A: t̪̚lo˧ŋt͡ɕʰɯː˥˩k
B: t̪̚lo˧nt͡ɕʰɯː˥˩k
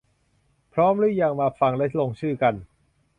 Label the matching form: A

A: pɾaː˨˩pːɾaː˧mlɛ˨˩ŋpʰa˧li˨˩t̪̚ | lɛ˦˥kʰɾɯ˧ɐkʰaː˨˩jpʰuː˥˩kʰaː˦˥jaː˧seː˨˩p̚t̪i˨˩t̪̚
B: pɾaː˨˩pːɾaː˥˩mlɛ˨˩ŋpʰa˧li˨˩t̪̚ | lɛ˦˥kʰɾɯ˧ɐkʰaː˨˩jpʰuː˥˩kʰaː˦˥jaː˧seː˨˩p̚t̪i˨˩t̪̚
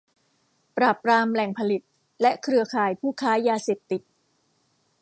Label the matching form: A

